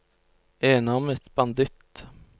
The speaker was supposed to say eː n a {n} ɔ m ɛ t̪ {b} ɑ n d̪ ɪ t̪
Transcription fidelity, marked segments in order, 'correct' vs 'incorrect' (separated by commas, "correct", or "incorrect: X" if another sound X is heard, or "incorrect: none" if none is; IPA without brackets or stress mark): incorrect: none, correct